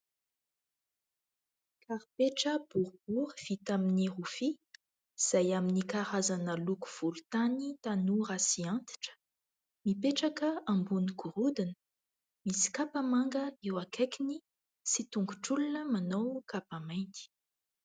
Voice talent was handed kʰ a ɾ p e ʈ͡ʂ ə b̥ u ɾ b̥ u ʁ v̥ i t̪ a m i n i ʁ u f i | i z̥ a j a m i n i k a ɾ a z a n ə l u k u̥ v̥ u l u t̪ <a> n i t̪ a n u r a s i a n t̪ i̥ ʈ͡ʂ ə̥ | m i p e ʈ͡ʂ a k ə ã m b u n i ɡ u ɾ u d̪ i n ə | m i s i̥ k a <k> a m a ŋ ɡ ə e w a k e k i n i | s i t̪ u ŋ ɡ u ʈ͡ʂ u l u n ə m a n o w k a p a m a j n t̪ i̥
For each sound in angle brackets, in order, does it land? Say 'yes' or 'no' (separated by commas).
yes, no